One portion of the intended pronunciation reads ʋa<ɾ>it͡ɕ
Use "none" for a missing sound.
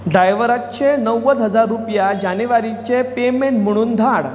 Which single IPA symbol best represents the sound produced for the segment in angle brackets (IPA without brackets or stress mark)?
ɾ